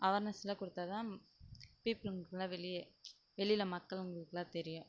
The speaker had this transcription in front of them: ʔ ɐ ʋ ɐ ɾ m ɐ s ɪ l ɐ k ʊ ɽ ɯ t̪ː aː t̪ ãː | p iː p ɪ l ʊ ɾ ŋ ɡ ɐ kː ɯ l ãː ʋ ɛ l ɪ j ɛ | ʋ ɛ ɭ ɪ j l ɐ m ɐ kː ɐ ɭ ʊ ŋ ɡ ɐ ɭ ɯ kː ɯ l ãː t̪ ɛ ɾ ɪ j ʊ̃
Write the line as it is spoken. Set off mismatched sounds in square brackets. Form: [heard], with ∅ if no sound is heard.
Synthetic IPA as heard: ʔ ɐ ʋ ɐ ɾ [n] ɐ s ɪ l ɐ k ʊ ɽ ɯ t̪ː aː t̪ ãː | p iː p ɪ l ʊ [∅] ŋ ɡ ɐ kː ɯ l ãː ʋ ɛ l ɪ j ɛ | ʋ ɛ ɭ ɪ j l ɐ m ɐ kː ɐ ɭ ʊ ŋ ɡ ɐ ɭ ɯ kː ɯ l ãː t̪ ɛ ɾ ɪ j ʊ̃

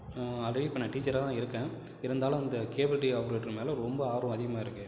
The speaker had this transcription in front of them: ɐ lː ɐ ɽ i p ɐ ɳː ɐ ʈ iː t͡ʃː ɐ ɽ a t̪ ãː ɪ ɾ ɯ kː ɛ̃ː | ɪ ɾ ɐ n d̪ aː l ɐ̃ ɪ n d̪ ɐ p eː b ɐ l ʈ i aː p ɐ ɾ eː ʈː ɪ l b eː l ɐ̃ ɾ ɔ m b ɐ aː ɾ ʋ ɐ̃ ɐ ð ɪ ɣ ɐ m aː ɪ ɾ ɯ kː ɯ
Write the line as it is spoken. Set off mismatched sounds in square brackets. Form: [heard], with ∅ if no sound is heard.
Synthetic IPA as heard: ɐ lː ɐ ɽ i p ɐ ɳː ɐ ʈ iː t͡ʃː ɐ [ɾ] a t̪ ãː ɪ ɾ ɯ kː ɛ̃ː | ɪ ɾ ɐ n d̪ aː l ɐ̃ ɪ n d̪ ɐ [k] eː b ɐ l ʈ i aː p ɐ ɾ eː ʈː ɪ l [m] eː l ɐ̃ ɾ ɔ m b ɐ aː ɾ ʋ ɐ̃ ɐ ð ɪ ɣ ɐ m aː ɪ ɾ ɯ kː ɯ

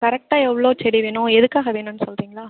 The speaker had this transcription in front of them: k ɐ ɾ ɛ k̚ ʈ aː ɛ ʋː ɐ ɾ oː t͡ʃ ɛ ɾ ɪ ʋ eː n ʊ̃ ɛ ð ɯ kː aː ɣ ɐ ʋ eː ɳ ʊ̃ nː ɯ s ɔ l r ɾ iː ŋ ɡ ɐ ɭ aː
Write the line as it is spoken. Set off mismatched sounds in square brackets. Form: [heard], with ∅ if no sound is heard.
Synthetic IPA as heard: k ɐ ɾ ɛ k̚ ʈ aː ɛ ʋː ɐ [ɭ] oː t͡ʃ ɛ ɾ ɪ ʋ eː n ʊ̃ ɛ ð ɯ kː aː ɣ ɐ ʋ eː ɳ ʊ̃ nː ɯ s ɔ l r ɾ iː ŋ ɡ ɐ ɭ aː

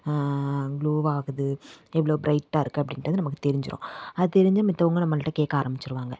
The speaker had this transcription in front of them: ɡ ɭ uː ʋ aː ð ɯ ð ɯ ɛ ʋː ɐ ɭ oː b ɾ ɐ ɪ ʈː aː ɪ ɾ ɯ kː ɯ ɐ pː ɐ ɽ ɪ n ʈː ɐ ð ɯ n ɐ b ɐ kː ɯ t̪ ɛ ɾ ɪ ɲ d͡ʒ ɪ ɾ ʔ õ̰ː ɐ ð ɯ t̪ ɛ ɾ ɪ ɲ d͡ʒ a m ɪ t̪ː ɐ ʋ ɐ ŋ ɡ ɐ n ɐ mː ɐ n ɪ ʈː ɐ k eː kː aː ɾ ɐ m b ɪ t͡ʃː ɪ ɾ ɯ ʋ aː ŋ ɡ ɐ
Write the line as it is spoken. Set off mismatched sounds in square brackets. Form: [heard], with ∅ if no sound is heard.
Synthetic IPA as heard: ɡ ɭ uː ʋ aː [ɣ] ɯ ð ɯ ɛ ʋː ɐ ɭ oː b ɾ ɐ ɪ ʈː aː ɪ ɾ ɯ kː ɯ ɐ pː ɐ ɽ ɪ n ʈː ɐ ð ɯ n ɐ [m] ɐ kː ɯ t̪ ɛ ɾ ɪ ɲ d͡ʒ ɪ ɾ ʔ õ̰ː ɐ ð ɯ t̪ ɛ ɾ ɪ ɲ d͡ʒ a m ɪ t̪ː ɐ ʋ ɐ ŋ ɡ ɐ n ɐ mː ɐ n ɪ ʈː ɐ k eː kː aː ɾ ɐ m b ɪ t͡ʃː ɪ ɾ ɯ ʋ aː ŋ ɡ ɐ

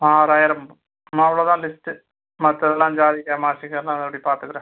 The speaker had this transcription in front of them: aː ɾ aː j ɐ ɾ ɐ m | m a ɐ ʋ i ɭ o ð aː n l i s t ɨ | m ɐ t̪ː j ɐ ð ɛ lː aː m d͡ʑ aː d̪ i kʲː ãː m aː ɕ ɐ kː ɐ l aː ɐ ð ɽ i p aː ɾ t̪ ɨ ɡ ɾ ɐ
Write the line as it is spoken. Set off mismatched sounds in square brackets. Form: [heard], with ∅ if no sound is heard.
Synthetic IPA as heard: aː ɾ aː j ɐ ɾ ɐ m | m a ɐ ʋ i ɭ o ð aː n l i s t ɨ | m ɐ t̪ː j ɐ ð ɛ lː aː m d͡ʑ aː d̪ i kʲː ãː m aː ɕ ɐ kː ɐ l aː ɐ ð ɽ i p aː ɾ t̪ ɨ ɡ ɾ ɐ

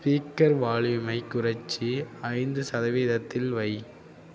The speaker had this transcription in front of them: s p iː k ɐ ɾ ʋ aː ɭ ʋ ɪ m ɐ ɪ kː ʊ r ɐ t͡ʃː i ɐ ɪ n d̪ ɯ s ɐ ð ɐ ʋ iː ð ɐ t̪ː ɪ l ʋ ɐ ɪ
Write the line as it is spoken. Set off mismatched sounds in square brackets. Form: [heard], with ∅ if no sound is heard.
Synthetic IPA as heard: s p iː k ɐ ɾ ʋ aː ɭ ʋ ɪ m ɐ ɪ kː ʊ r ɐ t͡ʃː i ɐ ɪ n d̪ ɯ s ɐ ð ɐ ʋ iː ð ɐ t̪ː ɪ l ʋ ɐ ɪ

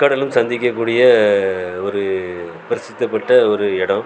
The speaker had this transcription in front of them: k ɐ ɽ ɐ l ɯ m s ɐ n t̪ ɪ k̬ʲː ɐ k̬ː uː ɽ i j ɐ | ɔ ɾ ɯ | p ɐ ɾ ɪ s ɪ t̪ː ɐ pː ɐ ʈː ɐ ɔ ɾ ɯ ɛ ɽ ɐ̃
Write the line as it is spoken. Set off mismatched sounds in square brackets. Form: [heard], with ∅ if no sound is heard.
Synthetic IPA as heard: k ɐ ɽ ɐ l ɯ m s ɐ n [d̪] ɪ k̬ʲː ɐ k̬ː uː ɽ [ɪ] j ɐ | ɔ ɾ ɯ | p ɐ ɾ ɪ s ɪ t̪ː ɐ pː ɐ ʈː ɐ ɔ ɾ ɯ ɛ ɽ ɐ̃

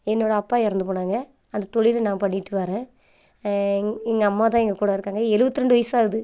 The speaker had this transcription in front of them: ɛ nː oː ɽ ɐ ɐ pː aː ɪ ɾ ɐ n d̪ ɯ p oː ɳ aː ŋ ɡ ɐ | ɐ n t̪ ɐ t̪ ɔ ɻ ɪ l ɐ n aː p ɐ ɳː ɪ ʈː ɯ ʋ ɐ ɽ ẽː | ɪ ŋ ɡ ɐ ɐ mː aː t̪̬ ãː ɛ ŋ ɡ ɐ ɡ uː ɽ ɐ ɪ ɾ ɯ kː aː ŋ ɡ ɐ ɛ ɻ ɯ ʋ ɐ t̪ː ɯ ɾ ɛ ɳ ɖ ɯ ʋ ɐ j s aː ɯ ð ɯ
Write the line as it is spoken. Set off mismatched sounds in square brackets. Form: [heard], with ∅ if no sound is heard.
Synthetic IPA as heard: ɛ nː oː ɽ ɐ ɐ pː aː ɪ ɾ ɐ n d̪ ɯ p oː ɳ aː ŋ ɡ ɐ | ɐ n [d̪] ɐ t̪ ɔ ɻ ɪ l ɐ n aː p ɐ ɳː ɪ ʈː ɯ ʋ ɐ [ɾ] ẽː | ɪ ŋ ɡ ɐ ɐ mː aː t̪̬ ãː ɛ ŋ ɡ ɐ [k] uː ɽ ɐ ɪ ɾ ɯ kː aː ŋ ɡ ɐ ɛ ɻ ɯ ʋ ɐ t̪ː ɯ ɾ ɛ ɳ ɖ ɯ ʋ ɐ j s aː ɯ ð ɯ

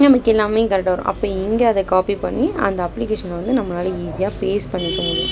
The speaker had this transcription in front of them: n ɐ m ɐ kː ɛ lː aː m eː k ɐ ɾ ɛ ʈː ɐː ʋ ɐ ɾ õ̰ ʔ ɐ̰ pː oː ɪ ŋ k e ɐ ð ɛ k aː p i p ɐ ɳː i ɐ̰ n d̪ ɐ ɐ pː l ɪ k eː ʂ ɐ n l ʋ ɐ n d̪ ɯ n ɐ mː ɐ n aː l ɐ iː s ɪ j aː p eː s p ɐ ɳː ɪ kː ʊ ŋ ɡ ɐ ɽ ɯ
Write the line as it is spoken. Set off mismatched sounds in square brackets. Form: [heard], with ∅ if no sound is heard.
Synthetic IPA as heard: n ɐ m ɐ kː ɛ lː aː m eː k ɐ ɾ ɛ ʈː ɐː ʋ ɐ ɾ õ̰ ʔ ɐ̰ pː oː ɪ ŋ [ɡ] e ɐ ð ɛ k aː p i p ɐ ɳː i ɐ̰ n d̪ ɐ ɐ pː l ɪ k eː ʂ ɐ n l ʋ ɐ n d̪ ɯ n ɐ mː ɐ n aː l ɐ iː s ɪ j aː p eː s p ɐ ɳː ɪ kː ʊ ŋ ɡ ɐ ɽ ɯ

